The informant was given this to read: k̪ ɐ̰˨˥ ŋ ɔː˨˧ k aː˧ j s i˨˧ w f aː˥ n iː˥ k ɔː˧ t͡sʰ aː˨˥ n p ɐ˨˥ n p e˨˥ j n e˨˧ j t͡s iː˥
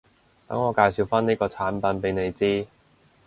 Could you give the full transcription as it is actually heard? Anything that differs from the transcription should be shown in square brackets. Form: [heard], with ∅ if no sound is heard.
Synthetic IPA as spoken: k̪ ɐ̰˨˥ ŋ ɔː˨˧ k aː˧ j s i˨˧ w f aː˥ n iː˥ k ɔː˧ t͡sʰ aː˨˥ n p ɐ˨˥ n p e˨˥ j n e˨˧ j t͡s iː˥